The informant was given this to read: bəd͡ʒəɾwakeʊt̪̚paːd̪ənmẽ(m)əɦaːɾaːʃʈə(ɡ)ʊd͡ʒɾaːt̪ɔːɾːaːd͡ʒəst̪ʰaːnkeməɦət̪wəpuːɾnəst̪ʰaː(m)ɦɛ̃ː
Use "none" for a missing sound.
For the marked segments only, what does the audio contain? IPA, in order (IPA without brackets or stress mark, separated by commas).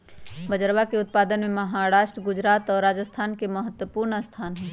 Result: m, ɡ, n